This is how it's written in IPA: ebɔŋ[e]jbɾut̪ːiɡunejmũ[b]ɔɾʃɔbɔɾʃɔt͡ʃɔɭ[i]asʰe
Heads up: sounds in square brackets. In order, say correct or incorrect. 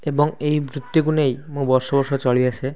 correct, correct, correct

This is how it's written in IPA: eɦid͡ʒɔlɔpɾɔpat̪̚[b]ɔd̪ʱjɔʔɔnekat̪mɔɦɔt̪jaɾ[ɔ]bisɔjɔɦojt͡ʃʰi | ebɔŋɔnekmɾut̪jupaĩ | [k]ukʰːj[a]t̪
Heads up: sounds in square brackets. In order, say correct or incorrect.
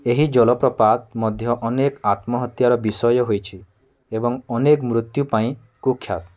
incorrect: m, correct, correct, correct

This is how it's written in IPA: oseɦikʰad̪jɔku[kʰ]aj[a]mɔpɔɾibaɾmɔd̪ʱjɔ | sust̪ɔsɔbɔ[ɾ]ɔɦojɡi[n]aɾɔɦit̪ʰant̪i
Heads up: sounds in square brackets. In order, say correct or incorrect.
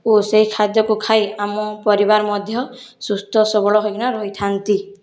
correct, correct, incorrect: ɭ, correct

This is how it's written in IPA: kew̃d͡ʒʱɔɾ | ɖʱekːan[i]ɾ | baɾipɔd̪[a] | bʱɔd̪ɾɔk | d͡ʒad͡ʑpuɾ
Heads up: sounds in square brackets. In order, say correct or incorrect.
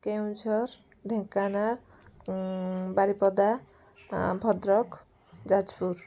incorrect: a, correct

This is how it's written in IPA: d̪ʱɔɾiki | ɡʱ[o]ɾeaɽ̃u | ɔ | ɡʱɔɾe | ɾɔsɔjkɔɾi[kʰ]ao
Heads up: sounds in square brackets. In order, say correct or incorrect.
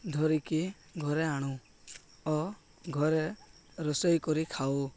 incorrect: ɔ, correct

